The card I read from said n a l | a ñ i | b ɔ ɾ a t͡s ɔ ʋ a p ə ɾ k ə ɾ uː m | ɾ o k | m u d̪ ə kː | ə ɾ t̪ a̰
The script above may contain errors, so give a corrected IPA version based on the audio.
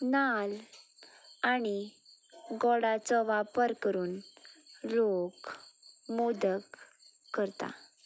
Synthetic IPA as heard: n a l | a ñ i | ɡ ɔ ɽ a t͡s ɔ ʋ a p ə ɾ k ə ɾ uː n | l o k | m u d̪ ə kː | ə ɾ t̪ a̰